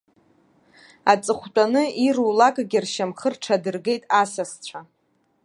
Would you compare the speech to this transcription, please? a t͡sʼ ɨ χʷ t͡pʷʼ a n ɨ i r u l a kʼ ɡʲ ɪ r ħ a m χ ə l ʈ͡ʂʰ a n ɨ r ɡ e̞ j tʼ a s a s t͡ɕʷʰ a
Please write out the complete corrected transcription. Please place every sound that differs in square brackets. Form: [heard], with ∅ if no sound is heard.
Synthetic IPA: a t͡sʼ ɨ χʷ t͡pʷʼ a n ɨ i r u l a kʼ ɡʲ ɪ r [ʃ] a m χ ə [r] ʈ͡ʂʰ a [d] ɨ r ɡ e̞ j tʼ a s a s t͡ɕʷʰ a